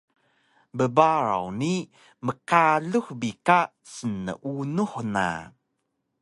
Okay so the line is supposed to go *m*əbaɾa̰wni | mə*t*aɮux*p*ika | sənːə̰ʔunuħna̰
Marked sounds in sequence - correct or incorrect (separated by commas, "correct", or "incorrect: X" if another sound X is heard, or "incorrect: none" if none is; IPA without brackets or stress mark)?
incorrect: b, incorrect: k, incorrect: b